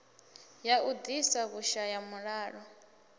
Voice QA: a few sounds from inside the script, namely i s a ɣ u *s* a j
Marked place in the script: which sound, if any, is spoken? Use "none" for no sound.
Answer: ʃ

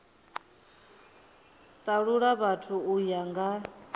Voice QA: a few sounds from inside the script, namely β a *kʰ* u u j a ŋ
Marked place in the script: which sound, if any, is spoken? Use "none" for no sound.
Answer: tʰ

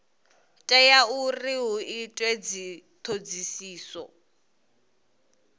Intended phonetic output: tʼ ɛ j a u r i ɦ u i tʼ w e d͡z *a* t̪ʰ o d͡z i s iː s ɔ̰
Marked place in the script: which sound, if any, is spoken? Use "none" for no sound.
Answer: i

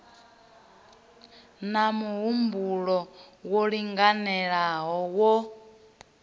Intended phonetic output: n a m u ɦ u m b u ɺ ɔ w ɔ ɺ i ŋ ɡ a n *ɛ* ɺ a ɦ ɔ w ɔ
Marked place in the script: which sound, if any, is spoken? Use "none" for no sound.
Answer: ɛ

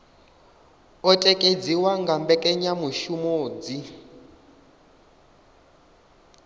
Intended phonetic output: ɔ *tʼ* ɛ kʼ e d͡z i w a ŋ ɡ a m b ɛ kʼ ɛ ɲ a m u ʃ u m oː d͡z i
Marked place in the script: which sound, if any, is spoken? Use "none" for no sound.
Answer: tʼ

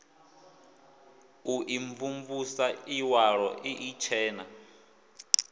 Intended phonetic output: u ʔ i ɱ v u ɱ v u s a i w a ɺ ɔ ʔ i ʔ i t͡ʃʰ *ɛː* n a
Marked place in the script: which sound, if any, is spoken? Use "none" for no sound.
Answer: ɛː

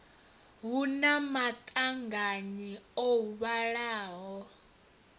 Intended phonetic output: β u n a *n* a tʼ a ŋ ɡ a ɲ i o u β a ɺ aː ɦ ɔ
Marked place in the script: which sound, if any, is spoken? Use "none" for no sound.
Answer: m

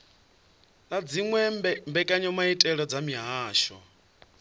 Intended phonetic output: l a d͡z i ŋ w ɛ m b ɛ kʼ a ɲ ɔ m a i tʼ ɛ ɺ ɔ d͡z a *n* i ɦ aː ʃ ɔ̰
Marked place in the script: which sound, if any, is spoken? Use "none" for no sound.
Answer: m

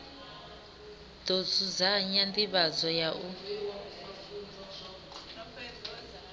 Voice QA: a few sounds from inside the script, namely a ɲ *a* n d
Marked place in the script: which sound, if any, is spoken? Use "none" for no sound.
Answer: a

